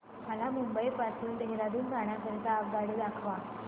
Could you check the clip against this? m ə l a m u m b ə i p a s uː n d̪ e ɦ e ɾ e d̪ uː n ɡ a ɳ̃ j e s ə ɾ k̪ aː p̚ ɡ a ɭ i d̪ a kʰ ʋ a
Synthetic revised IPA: m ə l a m u m b ə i p a s uː n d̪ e ɦ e ɾ a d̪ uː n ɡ a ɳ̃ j a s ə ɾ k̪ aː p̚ ɡ a ɽ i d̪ a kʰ ʋ a